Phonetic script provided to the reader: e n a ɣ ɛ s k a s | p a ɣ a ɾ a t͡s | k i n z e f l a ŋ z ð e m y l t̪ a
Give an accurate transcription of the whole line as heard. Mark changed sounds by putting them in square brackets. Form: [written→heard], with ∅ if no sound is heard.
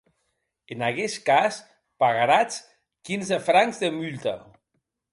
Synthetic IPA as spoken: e n a ɣ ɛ s k a s | p a ɣ a ɾ a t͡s | k i n z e f [l→ɾ] a ŋ z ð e m y l t̪ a